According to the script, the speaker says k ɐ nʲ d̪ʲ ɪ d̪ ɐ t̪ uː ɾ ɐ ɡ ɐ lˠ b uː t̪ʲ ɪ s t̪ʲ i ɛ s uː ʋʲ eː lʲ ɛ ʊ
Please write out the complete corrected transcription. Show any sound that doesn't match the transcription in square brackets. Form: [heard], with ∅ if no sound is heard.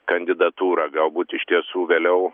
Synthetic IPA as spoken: k ɐ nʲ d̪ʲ ɪ d̪ ɐ t̪ uː ɾ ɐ ɡ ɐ lˠ b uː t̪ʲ ɪ [ʃ] t̪ʲ i ɛ s uː ʋʲ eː lʲ ɛ ʊ

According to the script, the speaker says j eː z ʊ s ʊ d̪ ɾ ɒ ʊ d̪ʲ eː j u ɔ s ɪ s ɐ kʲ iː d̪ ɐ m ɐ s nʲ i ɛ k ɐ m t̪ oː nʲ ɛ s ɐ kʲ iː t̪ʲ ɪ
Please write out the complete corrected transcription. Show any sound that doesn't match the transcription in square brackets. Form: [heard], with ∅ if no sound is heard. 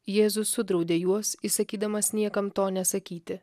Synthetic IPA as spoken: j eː z ʊ s ʊ d̪ ɾ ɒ ʊ d̪ʲ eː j u ɔ s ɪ s ɐ kʲ iː d̪ ɐ m ɐ s nʲ i ɛ k ɐ m t̪ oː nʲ ɛ s ɐ kʲ iː t̪ʲ ɪ

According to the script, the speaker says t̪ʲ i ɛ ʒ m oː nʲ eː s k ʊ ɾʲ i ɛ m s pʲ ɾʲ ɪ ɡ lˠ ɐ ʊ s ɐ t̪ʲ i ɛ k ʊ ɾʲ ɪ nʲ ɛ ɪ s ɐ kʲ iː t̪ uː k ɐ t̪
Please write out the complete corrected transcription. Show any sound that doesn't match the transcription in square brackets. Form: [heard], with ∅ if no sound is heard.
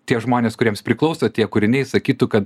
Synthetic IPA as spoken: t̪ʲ i ɛ ʒ m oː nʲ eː s k ʊ ɾʲ i ɛ m s pʲ ɾʲ ɪ [k] lˠ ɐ ʊ s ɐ t̪ʲ i ɛ k ʊ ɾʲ ɪ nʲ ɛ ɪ s ɐ kʲ iː t̪ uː k ɐ t̪

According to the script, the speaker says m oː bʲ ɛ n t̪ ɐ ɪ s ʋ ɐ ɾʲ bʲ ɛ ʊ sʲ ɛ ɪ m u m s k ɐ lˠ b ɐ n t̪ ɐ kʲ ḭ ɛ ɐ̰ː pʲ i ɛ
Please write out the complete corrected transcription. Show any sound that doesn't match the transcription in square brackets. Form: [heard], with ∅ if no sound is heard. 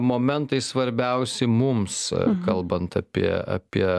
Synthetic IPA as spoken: m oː [mʲ] ɛ n t̪ ɐ ɪ s ʋ ɐ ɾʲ bʲ ɛ ʊ sʲ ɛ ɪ m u m s k ɐ lˠ b ɐ n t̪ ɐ [pʲ] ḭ ɛ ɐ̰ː pʲ i ɛ

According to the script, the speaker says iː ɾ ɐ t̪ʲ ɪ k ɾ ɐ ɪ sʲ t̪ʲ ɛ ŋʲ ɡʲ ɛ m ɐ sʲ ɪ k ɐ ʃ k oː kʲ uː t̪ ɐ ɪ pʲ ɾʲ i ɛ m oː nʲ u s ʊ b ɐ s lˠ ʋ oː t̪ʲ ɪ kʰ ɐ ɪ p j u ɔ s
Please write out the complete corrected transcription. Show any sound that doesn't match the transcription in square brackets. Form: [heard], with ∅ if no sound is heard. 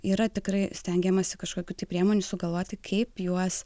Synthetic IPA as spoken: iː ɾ ɐ t̪ʲ ɪ k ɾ ɐ ɪ sʲ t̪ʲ ɛ ŋʲ ɡʲ ɛ m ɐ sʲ ɪ k ɐ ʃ k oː kʲ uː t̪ ɐ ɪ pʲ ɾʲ i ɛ m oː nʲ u s ʊ [ɡ] ɐ [∅] lˠ ʋ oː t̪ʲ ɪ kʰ ɐ ɪ p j u ɔ s

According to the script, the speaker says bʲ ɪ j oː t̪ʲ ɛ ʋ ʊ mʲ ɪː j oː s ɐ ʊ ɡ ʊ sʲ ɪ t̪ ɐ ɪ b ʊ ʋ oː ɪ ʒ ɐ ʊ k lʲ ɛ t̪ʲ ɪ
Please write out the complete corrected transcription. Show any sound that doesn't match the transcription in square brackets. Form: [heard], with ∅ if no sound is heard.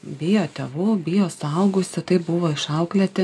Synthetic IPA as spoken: bʲ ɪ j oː t̪ʲ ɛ ʋ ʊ [bʲ] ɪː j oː s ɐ ʊ ɡ ʊ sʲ ɪ t̪ ɐ ɪ b ʊ ʋ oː ɪ [ʃ] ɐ ʊ k lʲ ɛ t̪ʲ ɪ

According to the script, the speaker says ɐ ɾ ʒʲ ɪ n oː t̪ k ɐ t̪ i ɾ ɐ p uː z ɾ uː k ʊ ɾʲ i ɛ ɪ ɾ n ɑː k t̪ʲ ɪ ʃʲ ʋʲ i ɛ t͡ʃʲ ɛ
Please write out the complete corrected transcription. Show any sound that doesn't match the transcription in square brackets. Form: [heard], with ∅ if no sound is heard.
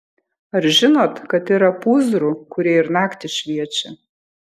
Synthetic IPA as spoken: ɐ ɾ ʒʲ ɪ n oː t̪ k ɐ t̪ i ɾ ɐ p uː z ɾ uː k ʊ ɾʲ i ɛ ɪ ɾ n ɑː k t̪ʲ ɪ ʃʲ ʋʲ i ɛ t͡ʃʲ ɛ

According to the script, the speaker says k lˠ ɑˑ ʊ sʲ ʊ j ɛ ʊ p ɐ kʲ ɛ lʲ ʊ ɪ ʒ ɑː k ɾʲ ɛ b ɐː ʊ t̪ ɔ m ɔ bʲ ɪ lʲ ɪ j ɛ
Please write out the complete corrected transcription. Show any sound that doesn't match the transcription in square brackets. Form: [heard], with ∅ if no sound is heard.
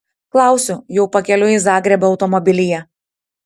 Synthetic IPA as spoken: k lˠ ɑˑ ʊ sʲ ʊ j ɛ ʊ p ɐ kʲ ɛ lʲ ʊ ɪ [z] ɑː [ɡ] ɾʲ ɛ b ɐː ʊ t̪ ɔ m ɔ bʲ ɪ lʲ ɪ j ɛ

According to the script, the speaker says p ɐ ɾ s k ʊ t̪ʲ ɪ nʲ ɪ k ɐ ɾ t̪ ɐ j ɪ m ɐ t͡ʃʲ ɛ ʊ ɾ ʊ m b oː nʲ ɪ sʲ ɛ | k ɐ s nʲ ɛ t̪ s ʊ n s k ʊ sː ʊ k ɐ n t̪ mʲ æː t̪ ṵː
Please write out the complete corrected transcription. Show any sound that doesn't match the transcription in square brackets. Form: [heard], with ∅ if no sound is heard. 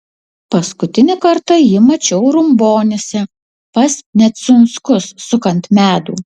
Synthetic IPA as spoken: p ɐ [∅] s k ʊ t̪ʲ ɪ nʲ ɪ k ɐ ɾ t̪ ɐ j ɪ m ɐ t͡ʃʲ ɛ ʊ ɾ ʊ m b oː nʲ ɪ sʲ ɛ | [p] ɐ s nʲ ɛ t̪ s ʊ n s k ʊ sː ʊ k ɐ n t̪ mʲ æː [d̪] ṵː

